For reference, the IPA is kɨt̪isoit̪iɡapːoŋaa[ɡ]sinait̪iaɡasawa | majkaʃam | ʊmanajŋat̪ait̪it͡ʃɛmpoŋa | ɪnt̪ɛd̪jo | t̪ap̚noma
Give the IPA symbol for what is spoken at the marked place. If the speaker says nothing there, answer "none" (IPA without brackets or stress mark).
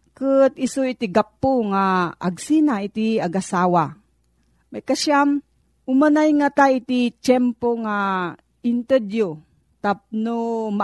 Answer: ɡ